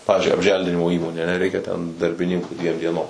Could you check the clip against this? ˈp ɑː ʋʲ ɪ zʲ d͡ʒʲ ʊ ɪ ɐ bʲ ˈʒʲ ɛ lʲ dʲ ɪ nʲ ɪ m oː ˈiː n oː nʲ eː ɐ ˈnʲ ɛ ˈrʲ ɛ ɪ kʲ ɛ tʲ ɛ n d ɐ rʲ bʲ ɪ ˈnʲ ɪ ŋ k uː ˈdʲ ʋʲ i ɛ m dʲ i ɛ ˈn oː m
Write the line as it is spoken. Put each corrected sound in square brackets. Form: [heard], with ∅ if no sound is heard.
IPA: ˈp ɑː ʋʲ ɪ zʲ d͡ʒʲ ʊ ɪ ɐ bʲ ˈʒʲ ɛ lʲ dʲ ɪ nʲ ɪ m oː ˈiː [m] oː nʲ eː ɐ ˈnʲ ɛ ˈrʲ ɛ ɪ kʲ ɛ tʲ ɛ n d ɐ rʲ bʲ ɪ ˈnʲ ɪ ŋ k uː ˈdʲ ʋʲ i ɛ m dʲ i ɛ ˈn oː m